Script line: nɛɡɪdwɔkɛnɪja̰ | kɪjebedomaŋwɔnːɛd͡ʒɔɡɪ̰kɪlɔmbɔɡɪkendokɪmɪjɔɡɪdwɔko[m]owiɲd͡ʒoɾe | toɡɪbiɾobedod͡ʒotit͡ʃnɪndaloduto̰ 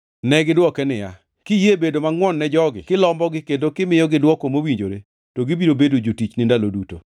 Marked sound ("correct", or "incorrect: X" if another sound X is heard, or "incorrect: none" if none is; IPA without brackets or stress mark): correct